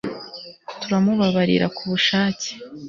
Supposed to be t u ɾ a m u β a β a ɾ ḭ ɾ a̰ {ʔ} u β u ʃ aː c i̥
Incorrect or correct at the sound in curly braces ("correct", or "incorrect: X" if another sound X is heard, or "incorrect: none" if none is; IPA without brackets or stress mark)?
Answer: incorrect: k